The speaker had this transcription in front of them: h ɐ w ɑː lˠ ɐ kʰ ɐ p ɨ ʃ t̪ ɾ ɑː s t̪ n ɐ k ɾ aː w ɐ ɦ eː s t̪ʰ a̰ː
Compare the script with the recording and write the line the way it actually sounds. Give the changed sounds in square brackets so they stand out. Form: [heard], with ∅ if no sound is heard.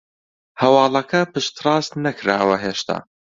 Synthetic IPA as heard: h ɐ w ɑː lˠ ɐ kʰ ɐ p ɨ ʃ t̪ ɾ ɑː s t̪ n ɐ k ɾ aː w ɐ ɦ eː [ʃ] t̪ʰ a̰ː